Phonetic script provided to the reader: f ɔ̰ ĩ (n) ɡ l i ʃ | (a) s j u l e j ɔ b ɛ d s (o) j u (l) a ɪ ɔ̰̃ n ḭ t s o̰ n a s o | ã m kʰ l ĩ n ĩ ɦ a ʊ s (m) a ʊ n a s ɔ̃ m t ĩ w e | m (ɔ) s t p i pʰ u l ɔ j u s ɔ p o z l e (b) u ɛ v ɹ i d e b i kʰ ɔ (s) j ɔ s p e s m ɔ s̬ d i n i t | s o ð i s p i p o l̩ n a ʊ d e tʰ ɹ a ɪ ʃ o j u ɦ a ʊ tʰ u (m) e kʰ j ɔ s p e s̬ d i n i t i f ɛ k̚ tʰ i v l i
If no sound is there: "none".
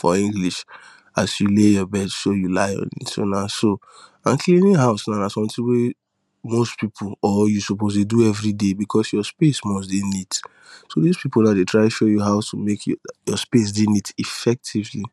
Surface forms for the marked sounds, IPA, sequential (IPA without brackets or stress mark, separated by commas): ŋ, a, o, l, n, o, d, s, m